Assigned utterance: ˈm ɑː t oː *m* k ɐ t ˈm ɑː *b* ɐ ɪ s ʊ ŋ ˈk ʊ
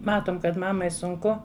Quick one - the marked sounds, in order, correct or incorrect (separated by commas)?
correct, incorrect